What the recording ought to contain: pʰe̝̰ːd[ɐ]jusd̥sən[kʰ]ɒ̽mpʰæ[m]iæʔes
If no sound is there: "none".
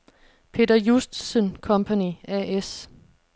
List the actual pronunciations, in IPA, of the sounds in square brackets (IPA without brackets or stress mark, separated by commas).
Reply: ɐ, kʰ, n